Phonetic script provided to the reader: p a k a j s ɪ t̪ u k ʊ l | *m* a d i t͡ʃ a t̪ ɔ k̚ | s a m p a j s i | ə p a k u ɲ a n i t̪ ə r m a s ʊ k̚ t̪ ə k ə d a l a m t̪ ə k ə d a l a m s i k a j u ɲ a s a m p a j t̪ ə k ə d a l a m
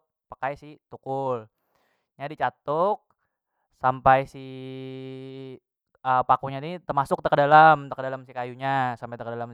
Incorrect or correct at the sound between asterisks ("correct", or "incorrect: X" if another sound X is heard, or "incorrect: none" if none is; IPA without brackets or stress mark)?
incorrect: ɲ